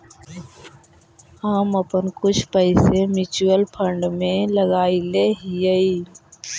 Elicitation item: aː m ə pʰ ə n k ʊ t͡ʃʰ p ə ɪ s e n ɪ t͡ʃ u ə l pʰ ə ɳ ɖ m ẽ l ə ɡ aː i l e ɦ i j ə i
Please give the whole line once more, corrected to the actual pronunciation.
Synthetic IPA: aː m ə p ə n k ʊ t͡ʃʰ p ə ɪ s e m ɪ t͡ʃ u ə l pʰ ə ɳ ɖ m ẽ l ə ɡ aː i l e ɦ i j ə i

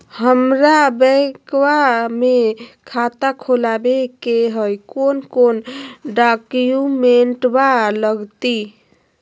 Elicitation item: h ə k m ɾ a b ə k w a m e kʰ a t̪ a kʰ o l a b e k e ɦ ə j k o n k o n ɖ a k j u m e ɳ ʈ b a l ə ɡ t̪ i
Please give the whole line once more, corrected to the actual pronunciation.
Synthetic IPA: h ə m ɾ a b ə k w a m e kʰ a t̪ a kʰ o l a b e k e ɦ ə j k o n k o n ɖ a k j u m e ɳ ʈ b a l ə ɡ t̪ i

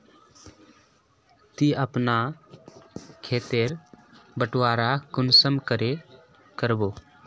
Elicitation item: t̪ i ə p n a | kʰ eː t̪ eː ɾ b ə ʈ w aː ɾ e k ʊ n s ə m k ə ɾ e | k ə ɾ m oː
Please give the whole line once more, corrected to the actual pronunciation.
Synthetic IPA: t̪ i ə p n a | kʰ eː t̪ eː ɾ b ə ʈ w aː ɾ a k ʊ n s ə m k ə ɾ e | k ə ɾ b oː

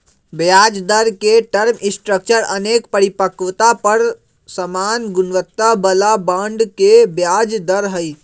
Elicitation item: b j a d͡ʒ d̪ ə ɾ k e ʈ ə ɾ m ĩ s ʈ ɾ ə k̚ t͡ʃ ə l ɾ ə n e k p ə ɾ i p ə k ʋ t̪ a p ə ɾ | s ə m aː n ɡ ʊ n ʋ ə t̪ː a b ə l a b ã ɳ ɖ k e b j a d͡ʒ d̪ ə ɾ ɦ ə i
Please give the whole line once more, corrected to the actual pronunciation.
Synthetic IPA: b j a d͡ʒ d̪ ə ɾ k e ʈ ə ɾ m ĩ s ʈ ɾ ə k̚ t͡ʃ ə ɾ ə n e k p ə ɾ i p ə k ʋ t̪ a p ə ɾ | s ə m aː n ɡ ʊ n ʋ ə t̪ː a b ə l a b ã ɳ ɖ k e b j a d͡ʒ d̪ ə ɾ ɦ ə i

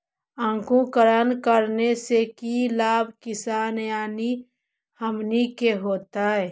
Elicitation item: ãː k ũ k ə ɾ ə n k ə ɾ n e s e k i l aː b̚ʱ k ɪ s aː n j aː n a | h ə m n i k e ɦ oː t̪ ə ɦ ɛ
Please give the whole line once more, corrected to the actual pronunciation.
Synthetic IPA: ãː k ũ k ə ɾ ə n k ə ɾ n e s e k i l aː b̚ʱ k ɪ s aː n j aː n i | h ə m n i k e ɦ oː t̪ a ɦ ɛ

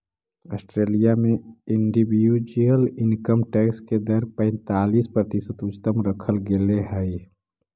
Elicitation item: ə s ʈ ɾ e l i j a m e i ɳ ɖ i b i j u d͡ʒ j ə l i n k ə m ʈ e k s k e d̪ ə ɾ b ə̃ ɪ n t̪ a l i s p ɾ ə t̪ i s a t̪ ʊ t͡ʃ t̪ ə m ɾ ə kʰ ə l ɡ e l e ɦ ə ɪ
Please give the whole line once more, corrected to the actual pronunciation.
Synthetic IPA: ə s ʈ ɾ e l i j a m e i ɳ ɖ i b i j u d͡ʒ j ə l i n k ə m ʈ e k s k e d̪ ə ɾ p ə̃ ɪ n t̪ a l i s p ɾ ə t̪ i s ə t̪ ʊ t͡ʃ t̪ ə m ɾ ə kʰ ə l ɡ e l e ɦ ə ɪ

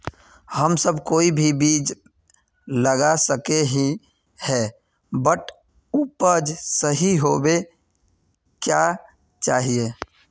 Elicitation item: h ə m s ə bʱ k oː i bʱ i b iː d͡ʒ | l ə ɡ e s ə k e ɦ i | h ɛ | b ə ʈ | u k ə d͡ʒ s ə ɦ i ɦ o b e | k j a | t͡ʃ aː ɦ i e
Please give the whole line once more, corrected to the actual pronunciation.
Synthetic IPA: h ə m s ə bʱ k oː i bʱ i b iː d͡ʒ | l ə ɡ a s ə k e ɦ i | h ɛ | b ə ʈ | u p ə d͡ʒ s ə ɦ i ɦ o b e | k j a | t͡ʃ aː ɦ i e

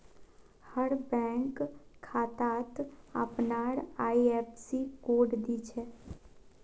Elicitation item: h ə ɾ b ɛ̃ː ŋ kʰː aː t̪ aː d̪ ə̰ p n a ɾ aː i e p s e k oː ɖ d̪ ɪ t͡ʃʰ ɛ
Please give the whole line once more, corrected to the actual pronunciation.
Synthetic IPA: h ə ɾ b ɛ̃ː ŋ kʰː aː t̪ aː t̪ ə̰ p n a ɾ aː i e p s i k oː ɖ d̪ i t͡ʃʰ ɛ

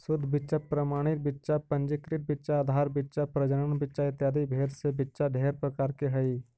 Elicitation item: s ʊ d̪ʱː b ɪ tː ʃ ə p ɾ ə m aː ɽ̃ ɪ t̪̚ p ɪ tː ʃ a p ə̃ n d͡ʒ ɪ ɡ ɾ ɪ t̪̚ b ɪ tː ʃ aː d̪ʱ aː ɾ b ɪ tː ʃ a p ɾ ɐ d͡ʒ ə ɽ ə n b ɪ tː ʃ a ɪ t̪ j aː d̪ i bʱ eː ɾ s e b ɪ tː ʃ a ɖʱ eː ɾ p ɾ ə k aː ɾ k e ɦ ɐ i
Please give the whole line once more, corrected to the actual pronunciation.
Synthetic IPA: s ʊ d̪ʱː b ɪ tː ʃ a p ɾ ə m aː ɽ̃ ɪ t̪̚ b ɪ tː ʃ a p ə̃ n d͡ʒ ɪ k ɾ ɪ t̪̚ b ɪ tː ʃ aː d̪ʱ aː ɾ b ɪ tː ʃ a p ɾ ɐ d͡ʒ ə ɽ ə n b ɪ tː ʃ a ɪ t̪ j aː d̪ i bʱ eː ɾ s e b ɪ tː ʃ a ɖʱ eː ɾ p ɾ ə k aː ɾ k e ɦ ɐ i

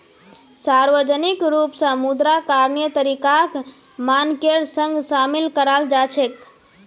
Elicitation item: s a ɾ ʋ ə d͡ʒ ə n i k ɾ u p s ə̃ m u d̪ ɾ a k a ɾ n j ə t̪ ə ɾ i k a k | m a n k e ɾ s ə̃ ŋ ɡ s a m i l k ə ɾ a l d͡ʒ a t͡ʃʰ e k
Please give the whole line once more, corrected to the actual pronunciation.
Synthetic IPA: s a ɾ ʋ ə d͡ʒ ə n i k ɾ u p s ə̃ m u d̪ ɾ a k a ɾ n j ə t̪ ə ɾ i k a k | m a n k e ɾ s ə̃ ŋ ɡ s a m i l k ə ɾ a l d͡ʒ a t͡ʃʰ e k

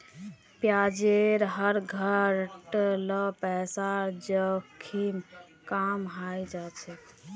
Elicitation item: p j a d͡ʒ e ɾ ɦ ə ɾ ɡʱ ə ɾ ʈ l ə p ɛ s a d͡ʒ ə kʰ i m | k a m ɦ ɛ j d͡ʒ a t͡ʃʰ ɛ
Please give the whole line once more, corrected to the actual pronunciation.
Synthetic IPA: p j a d͡ʒ e ɾ ɦ ə ɾ ɡʱ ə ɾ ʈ l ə p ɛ s a d͡ʒ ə kʰ i m | k a m ɦ a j d͡ʒ a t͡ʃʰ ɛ

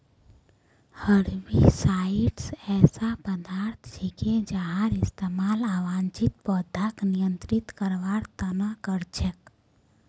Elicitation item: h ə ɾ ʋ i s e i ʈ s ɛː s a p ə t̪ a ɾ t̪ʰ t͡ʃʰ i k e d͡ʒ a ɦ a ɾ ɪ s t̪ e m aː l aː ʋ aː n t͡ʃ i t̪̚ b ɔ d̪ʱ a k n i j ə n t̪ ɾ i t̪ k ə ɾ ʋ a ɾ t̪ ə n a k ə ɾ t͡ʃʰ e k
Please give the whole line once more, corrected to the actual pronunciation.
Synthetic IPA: h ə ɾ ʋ i s a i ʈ s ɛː s a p ə d̪ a ɾ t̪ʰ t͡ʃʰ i k e d͡ʒ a ɦ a ɾ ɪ s t̪ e m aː l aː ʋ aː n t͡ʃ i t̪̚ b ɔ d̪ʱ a k n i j ə n t̪ ɾ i t̪ k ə ɾ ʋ a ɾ t̪ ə n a k ə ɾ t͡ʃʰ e k

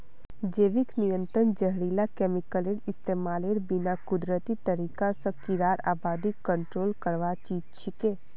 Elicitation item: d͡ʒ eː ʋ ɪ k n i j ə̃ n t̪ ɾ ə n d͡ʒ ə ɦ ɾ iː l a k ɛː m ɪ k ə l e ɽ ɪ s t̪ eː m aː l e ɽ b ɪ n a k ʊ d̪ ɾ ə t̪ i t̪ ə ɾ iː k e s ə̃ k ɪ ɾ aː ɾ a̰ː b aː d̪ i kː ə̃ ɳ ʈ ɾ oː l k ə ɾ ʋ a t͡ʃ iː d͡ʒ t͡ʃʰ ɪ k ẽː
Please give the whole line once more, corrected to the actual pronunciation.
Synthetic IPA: d͡ʒ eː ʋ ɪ k n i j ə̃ n t̪ ɾ ə n d͡ʒ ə ɦ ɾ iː l a k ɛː m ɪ k ə l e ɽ ɪ s t̪ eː m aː l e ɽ b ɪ n a k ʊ d̪ ɾ ə t̪ i t̪ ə ɾ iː k a s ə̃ k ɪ ɾ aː ɾ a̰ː b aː d̪ i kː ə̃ ɳ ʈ ɾ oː l k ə ɾ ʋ a t͡ʃ iː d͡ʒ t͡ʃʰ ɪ k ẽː

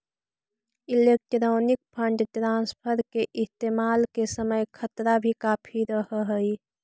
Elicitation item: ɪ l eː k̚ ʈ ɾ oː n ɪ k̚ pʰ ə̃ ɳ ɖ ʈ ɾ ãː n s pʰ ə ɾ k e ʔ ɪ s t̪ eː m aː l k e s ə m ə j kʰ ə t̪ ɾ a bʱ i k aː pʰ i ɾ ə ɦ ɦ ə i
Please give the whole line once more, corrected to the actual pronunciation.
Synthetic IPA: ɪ l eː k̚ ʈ ɾ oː n ɪ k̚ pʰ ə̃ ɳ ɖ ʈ ɾ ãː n s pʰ ə ɾ k e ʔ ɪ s t̪ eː m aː l k e s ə m ə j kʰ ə t̪ ɾ a bʱ i k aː pʰ i ɾ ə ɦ ɦ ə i

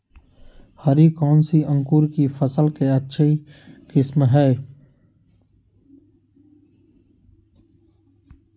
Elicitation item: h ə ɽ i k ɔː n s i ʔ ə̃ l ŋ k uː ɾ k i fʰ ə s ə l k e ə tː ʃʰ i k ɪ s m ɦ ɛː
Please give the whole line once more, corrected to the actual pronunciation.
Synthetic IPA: h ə ɾ i k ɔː n s i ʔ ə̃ ŋ k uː ɾ k i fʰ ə s ə l k e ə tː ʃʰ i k ɪ s m ɦ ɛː

